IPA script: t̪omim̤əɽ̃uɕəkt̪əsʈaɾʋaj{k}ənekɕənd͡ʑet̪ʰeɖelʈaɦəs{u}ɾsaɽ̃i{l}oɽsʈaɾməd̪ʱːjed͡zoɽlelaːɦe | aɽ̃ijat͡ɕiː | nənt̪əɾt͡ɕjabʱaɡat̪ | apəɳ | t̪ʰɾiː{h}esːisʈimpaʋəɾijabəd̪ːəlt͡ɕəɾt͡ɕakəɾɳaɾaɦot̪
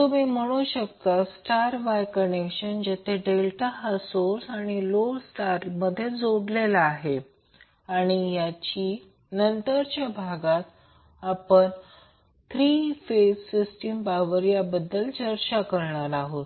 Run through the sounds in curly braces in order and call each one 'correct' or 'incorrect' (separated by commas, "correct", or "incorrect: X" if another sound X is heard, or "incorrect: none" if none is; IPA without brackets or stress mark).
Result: correct, incorrect: o, correct, incorrect: f